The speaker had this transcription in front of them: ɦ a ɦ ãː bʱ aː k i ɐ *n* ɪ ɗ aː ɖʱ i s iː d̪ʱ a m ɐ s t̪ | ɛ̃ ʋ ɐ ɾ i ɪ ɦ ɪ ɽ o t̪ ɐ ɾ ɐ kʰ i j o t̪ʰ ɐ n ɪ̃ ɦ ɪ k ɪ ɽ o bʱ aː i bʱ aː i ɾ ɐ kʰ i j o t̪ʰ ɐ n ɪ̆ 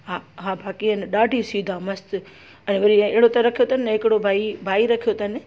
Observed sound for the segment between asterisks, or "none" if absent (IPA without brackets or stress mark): n